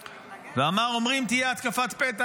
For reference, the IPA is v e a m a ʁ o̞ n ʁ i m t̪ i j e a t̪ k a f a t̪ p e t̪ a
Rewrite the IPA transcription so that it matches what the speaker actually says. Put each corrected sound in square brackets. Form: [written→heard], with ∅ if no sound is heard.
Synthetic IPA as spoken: v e a m a ʁ o̞ [n→m] ʁ i m t̪ i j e a t̪ k a f a t̪ p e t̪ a